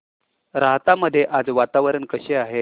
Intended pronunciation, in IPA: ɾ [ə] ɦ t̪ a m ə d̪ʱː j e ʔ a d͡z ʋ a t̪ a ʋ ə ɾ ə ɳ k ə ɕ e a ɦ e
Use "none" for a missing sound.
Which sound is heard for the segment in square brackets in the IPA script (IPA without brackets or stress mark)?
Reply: a